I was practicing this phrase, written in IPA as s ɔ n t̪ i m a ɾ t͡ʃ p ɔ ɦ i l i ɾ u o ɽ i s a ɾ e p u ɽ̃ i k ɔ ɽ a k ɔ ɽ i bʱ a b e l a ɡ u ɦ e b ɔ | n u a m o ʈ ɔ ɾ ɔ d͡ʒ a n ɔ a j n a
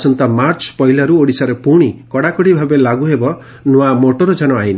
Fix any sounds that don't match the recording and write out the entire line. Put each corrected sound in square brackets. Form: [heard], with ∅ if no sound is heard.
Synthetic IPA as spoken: s ɔ n t̪ [a] m a ɾ t͡ʃ p ɔ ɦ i l [a] ɾ u o ɽ i s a ɾ e p u ɽ̃ i k ɔ ɽ a k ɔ ɽ i bʱ a b e l a ɡ u ɦ e b ɔ | n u a m o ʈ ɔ ɾ ɔ d͡ʒ a n ɔ a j n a